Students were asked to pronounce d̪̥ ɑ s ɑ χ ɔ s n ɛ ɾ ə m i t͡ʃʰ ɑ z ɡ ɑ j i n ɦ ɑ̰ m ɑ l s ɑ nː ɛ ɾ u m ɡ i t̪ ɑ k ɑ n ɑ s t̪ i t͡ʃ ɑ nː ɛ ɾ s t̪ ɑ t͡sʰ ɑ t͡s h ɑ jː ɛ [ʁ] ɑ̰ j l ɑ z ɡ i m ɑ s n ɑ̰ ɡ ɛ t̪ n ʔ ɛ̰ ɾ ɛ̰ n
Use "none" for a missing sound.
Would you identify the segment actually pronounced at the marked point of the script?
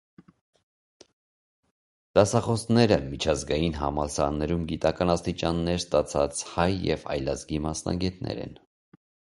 v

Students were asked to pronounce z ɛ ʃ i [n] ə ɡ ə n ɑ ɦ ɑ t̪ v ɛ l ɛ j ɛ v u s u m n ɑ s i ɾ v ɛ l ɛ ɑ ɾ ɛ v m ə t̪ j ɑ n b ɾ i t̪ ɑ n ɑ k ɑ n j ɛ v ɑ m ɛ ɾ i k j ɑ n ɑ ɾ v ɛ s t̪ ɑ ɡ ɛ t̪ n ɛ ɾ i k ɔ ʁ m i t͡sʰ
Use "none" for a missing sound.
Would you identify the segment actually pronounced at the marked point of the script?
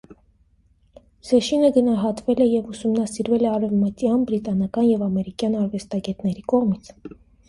n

